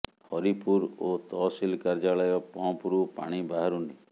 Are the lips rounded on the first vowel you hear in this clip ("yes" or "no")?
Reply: yes